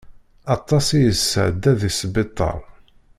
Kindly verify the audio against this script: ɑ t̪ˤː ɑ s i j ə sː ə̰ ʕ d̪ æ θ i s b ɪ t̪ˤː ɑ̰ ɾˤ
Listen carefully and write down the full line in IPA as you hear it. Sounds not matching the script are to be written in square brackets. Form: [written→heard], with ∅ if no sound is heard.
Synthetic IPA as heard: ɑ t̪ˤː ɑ s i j ə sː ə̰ ʕ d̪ æ [θ→ð] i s b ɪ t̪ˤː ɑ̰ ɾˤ